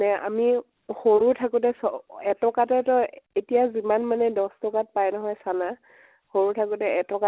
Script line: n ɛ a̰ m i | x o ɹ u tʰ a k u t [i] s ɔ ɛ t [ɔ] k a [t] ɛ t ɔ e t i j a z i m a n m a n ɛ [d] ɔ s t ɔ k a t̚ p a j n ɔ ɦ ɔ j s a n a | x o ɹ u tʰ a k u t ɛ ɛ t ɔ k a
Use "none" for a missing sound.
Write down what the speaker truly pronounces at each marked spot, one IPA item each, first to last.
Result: ɛ, ɔ, t, d

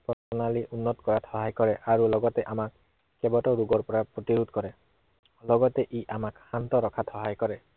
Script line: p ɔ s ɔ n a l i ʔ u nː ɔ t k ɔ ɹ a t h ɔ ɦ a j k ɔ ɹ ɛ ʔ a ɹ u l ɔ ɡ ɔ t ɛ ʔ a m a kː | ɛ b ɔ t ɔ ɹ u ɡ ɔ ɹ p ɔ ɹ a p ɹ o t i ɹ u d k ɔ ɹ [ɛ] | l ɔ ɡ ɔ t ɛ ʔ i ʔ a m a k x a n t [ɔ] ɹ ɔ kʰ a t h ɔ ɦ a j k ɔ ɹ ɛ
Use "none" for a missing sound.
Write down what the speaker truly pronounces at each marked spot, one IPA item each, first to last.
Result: ɛ, ɔ

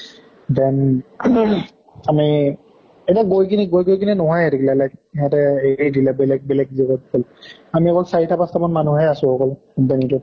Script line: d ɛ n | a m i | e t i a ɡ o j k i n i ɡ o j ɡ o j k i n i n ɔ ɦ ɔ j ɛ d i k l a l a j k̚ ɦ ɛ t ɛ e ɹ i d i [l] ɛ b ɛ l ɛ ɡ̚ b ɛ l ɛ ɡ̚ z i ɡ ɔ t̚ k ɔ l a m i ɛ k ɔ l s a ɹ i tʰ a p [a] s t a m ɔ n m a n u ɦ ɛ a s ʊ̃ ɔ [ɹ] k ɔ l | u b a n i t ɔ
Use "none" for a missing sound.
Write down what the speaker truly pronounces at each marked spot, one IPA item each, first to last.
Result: l, a, none

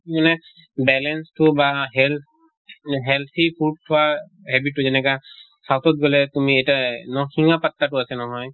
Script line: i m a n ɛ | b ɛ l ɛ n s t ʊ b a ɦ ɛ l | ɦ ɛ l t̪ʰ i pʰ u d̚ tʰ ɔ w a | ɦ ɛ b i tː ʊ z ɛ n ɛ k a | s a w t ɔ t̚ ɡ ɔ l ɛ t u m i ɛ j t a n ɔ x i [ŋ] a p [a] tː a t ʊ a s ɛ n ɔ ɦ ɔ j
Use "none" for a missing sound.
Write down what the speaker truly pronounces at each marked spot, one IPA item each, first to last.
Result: ŋ, a

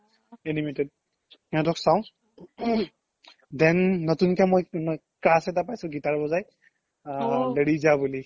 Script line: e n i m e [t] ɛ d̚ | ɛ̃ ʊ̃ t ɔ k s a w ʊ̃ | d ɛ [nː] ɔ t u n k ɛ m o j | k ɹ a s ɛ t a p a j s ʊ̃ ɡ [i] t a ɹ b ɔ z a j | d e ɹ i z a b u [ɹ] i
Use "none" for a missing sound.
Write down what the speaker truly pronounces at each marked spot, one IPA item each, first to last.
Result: t, nː, i, l

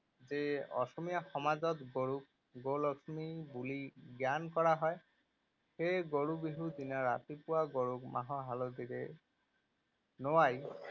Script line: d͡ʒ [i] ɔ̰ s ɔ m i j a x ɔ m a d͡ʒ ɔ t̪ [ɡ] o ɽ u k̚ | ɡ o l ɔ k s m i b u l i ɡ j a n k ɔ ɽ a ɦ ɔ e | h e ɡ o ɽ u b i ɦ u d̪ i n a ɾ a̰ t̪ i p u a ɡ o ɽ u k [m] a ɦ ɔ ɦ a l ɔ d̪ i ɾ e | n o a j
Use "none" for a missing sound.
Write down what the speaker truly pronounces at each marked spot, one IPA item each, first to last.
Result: e, ɡ, m

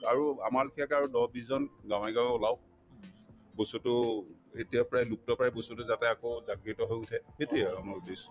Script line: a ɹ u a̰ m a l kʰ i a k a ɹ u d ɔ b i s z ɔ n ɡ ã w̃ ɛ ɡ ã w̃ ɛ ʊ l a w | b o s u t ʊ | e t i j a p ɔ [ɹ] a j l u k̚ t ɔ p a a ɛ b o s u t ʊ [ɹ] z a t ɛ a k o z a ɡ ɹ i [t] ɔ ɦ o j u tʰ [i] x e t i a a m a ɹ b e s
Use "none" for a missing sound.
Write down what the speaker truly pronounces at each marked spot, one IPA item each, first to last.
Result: ɹ, none, t, ɛ

